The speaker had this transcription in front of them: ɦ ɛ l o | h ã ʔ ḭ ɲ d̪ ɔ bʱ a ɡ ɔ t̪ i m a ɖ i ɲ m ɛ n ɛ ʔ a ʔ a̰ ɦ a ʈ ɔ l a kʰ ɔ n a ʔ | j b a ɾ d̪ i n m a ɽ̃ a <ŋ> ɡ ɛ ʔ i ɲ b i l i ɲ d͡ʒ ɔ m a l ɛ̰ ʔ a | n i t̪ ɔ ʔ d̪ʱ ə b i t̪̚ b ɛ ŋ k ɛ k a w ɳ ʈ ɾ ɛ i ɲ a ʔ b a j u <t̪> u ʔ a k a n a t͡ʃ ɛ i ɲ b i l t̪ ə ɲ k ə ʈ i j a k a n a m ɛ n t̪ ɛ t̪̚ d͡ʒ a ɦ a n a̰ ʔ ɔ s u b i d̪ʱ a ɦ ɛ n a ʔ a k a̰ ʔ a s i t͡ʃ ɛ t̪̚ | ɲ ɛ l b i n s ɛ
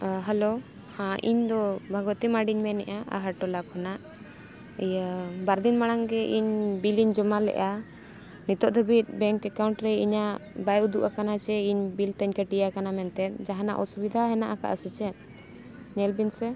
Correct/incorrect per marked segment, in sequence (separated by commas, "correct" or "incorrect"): correct, incorrect